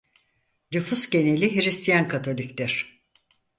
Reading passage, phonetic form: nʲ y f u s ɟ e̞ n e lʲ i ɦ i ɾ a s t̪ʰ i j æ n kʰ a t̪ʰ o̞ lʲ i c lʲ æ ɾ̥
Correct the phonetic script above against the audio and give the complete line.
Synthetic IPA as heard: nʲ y f u s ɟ e̞ n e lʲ i ɦ i ɾ i s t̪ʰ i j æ n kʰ a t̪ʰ o̞ lʲ i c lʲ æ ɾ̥